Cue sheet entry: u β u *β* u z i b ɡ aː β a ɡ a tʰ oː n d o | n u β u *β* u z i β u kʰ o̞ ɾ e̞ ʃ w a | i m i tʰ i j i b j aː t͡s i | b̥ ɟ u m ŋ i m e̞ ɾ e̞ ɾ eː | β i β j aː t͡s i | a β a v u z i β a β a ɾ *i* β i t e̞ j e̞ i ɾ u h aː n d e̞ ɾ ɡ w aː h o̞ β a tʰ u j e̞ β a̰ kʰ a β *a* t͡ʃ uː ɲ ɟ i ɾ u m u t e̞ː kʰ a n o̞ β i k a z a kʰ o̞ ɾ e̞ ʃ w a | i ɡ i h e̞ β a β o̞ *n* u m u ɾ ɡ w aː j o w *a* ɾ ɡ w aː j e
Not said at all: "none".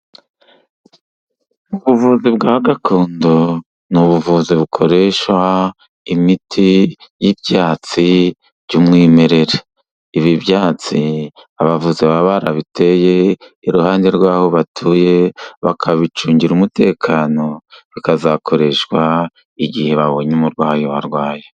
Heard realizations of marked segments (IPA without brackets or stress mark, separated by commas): v, v, a, i, ɲ, a